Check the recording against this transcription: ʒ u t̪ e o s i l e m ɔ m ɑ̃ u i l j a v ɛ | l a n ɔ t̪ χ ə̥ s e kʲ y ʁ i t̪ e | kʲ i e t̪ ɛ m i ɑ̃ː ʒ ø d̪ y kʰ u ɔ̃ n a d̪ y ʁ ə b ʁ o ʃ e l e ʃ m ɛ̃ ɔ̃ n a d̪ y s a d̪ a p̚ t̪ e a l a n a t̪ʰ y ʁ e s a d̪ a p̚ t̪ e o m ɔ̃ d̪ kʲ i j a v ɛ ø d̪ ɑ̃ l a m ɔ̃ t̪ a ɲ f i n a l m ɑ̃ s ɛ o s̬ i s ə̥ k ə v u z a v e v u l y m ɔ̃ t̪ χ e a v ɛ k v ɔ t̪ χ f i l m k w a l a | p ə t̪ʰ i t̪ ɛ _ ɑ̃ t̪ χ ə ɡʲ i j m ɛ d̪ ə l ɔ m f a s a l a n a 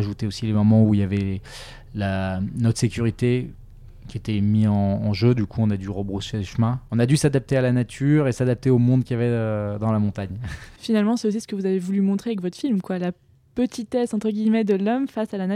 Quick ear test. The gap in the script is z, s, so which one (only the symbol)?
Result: s